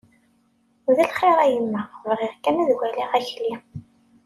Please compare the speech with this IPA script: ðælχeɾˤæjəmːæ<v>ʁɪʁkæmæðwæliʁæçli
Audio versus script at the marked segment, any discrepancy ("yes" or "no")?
no